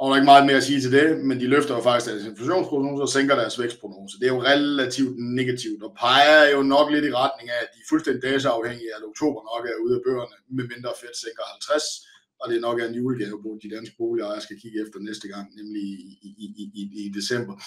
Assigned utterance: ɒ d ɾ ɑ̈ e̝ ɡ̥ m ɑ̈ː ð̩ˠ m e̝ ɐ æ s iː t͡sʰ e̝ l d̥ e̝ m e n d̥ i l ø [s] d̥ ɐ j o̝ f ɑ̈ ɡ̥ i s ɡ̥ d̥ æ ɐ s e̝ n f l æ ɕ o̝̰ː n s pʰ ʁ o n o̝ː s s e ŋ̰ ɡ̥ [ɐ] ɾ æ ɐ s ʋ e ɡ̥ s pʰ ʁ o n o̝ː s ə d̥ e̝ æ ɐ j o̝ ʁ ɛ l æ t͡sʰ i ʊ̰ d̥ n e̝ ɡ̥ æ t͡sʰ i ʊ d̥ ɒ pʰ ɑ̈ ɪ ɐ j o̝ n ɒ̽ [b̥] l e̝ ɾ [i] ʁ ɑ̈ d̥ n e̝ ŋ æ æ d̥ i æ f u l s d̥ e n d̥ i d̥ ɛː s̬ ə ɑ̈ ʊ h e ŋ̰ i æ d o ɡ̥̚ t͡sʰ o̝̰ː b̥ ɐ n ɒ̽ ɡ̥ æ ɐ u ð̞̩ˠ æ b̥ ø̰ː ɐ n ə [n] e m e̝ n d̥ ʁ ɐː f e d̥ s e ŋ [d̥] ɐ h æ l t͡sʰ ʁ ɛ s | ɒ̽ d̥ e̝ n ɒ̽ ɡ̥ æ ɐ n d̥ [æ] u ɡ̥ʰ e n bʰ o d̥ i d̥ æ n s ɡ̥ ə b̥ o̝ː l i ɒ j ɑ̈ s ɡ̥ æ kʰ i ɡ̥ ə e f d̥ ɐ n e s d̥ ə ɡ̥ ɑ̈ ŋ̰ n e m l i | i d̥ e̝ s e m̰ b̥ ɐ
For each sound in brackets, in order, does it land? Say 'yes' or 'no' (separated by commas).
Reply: no, yes, no, yes, no, no, no